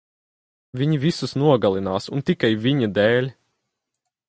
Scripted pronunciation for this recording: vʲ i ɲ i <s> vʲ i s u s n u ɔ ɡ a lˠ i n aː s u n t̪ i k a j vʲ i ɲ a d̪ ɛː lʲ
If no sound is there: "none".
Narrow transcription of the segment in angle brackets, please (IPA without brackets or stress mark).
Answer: none